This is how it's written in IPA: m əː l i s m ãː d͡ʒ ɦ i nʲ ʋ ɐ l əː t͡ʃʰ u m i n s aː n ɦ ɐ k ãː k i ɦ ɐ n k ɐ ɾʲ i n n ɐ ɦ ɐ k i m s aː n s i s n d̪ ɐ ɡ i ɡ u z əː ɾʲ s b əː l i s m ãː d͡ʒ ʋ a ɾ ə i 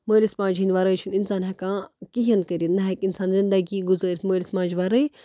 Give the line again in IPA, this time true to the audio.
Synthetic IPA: m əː l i s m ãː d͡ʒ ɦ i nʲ ʋ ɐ ɾ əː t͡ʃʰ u n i n s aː n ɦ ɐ k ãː k i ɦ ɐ n k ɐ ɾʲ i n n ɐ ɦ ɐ k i n s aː n z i n d̪ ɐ ɡ i ɡ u z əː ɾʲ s m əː l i s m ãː d͡ʒ ʋ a ɾ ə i